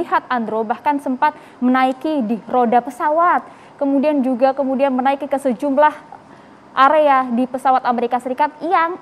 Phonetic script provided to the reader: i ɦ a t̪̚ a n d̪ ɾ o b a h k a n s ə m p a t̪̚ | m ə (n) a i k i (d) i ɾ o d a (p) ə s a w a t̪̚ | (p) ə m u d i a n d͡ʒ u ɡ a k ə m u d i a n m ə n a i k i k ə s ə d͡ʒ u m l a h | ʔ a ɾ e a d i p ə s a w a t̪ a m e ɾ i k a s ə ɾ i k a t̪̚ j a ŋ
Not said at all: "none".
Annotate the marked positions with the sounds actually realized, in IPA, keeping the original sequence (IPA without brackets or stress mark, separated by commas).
n, d, p, k